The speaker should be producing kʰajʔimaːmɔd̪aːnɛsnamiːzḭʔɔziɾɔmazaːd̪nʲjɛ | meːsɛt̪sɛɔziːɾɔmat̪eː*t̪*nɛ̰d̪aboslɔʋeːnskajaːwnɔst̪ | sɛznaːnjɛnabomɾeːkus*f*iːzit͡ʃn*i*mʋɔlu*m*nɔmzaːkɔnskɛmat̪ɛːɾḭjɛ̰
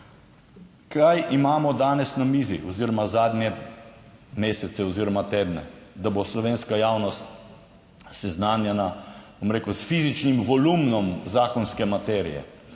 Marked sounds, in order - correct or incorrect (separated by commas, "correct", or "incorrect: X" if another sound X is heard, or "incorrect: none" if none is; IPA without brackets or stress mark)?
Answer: incorrect: d̪, correct, correct, correct